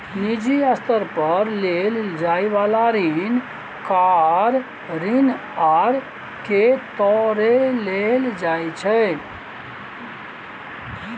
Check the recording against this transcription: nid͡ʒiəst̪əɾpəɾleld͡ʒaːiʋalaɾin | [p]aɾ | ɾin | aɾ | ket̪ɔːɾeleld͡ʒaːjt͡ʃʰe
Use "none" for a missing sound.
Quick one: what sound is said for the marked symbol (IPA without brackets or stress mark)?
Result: k